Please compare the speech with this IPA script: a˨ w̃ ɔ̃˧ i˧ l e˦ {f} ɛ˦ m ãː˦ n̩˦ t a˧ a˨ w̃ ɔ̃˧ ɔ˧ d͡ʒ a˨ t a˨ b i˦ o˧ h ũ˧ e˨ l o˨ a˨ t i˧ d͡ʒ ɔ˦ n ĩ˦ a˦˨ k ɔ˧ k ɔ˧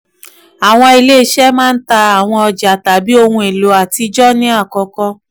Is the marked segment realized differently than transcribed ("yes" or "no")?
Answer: yes